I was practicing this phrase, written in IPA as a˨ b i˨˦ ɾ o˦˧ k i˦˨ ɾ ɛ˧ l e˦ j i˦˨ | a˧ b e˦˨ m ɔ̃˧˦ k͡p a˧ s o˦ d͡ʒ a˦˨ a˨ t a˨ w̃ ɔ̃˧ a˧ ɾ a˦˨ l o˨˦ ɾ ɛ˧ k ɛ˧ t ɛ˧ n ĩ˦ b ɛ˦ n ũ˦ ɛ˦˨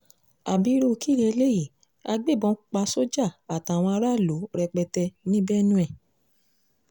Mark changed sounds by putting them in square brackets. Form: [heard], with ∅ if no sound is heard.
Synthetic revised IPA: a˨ b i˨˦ ɾ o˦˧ k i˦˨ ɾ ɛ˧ l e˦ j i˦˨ | a˧ [ɡ͡b] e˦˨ [b] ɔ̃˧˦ k͡p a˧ s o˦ d͡ʒ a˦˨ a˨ t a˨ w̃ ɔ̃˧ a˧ ɾ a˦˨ l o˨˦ ɾ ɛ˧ [k͡p] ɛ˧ t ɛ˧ n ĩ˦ b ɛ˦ n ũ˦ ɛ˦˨